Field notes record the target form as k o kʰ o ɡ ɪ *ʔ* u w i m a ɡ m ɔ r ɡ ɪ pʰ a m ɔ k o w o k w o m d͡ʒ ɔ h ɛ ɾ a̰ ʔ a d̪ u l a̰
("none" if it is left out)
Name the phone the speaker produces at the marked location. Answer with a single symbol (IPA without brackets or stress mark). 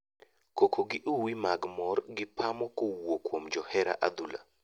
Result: ʔ